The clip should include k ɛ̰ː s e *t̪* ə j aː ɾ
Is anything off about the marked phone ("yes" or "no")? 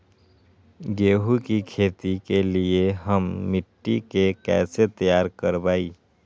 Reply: no